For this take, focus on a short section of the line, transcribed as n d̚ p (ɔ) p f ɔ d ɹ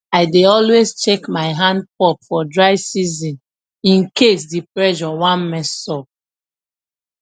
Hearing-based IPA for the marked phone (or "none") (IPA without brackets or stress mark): ɔ